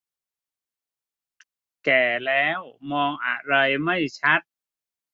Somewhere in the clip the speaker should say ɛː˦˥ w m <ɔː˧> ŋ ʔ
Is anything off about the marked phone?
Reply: no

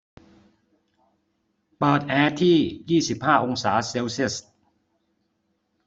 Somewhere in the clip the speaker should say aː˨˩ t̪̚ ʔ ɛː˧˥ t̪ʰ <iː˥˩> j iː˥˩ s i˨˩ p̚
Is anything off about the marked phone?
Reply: no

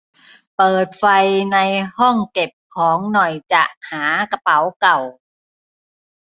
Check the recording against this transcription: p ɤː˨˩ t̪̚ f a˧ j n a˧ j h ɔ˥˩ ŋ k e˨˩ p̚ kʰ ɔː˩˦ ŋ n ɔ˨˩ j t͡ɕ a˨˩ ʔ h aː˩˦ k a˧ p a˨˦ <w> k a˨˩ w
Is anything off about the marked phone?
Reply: no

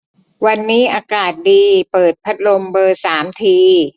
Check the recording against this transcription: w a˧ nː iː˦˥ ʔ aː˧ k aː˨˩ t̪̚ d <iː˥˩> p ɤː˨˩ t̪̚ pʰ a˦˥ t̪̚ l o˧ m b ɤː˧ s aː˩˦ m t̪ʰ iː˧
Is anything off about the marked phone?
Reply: yes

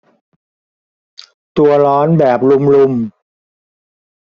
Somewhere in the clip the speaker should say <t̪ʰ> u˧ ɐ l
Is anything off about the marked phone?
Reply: yes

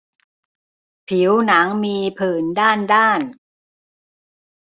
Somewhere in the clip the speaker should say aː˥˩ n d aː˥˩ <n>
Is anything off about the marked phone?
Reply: no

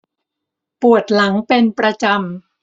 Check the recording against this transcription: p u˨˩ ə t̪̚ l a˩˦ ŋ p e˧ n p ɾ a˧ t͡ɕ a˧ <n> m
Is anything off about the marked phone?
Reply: yes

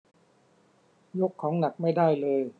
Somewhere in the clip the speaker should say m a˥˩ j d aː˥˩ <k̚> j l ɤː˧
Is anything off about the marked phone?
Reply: yes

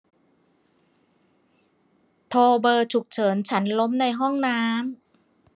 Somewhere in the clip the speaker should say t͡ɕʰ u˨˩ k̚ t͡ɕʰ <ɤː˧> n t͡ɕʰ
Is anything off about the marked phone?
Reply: yes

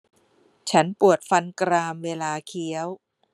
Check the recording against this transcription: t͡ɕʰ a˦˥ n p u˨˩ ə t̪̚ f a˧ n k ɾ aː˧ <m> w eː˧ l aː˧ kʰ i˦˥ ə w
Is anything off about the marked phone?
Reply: no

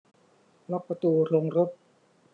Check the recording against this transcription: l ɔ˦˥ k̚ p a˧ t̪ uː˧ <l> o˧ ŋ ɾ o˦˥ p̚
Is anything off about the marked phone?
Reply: yes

